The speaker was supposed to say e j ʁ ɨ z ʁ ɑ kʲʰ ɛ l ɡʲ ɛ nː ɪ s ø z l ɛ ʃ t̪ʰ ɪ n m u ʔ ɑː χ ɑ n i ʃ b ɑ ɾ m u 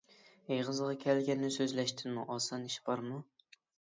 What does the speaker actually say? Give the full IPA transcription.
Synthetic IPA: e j ʁ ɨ z ʁ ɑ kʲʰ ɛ l ɡʲ ɛ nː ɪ s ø z l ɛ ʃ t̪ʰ ɪ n m u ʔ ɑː s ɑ n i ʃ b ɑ ɾ m u